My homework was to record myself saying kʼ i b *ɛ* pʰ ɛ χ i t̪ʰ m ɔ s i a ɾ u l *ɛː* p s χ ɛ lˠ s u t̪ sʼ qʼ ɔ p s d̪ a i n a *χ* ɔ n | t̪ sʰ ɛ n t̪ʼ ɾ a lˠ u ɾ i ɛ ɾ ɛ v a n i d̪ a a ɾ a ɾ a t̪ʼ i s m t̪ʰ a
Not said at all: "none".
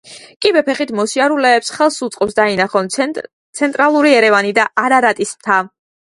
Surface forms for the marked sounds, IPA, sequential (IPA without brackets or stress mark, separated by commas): ɛ, ɛː, χ